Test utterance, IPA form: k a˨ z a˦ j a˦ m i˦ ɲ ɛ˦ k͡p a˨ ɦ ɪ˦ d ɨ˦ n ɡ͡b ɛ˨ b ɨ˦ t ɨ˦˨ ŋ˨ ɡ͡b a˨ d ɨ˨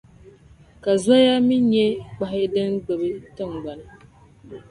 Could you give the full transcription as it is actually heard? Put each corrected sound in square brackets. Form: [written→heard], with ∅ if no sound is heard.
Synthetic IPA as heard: k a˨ z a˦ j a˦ m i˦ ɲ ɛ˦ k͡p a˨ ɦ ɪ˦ d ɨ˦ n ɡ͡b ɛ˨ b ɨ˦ t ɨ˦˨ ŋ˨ ɡ͡b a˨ [d→n] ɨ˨